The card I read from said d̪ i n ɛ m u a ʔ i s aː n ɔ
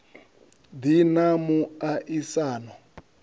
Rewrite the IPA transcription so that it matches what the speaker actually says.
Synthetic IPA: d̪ i n a m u a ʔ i s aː n ɔ